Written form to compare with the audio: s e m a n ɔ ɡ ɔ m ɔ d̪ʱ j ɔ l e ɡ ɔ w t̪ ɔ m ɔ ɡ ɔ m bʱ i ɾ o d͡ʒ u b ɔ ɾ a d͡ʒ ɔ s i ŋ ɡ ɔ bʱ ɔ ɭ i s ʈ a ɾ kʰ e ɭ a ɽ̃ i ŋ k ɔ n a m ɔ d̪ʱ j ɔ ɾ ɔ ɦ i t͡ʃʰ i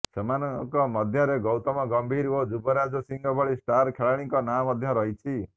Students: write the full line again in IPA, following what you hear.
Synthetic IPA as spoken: s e m a n ɔ k ɔ m ɔ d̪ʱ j ɔ ɾ e ɡ ɔ w t̪ ɔ m ɔ ɡ ɔ m bʱ i ɾ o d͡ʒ u b ɔ ɾ a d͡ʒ ɔ s i ŋ ɡ ɔ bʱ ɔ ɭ i s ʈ a ɾ kʰ e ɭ a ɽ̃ i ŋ k ɔ n a m ɔ d̪ʱ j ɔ ɾ ɔ ɦ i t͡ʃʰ i